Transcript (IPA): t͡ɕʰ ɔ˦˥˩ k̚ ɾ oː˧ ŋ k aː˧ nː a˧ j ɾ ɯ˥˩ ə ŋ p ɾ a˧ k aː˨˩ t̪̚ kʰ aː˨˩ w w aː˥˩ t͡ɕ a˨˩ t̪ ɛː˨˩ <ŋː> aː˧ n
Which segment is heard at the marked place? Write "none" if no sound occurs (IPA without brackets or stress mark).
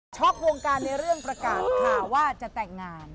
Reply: ŋː